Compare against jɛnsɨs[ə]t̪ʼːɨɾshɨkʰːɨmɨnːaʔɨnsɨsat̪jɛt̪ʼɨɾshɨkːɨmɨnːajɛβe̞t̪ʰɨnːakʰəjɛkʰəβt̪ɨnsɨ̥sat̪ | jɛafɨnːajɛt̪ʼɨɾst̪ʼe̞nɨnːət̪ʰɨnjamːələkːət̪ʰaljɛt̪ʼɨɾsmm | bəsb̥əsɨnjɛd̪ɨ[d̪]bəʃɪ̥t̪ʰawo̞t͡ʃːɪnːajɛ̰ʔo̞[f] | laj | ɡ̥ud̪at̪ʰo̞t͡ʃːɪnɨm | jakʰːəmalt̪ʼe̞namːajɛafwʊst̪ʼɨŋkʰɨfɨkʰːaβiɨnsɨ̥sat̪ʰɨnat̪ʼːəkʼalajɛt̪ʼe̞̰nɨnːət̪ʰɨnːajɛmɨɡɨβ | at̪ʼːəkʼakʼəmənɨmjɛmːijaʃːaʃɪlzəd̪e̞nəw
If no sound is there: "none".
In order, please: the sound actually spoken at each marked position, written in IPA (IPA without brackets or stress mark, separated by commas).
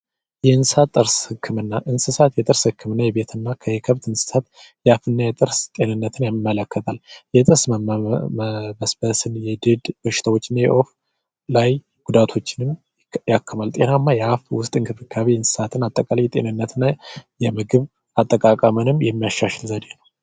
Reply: a, d̪, f